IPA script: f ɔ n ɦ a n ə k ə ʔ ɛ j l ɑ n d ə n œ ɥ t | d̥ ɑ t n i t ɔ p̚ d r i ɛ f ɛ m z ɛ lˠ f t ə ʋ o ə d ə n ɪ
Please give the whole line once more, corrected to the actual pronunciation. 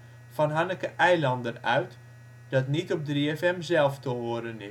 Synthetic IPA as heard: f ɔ n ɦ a n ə k ə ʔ ɛ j l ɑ n d ə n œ ɥ t | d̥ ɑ t n i t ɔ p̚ d r i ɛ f ɛ m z ɛ lˠ f t ə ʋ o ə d ə n ɪ